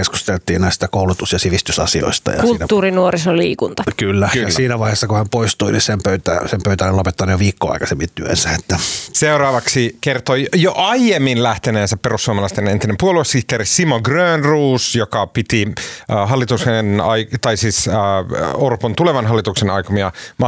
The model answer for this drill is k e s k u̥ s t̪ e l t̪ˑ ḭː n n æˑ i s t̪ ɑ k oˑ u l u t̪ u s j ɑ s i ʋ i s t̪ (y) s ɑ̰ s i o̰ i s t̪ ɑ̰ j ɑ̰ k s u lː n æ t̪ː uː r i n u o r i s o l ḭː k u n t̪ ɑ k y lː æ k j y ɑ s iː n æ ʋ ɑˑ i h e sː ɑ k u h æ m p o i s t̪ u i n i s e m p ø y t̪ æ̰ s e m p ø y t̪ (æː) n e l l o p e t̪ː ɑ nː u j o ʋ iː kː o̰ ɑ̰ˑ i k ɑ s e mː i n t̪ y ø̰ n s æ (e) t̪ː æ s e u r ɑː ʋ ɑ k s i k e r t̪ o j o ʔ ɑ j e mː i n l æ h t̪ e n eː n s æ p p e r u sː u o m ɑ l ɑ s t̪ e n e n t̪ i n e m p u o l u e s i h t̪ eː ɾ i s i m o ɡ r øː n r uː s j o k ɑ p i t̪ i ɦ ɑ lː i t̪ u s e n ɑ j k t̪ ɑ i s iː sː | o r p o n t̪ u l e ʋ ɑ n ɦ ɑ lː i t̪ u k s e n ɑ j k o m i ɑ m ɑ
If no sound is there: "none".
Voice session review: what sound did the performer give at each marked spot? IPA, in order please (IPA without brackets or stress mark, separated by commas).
y, æ, e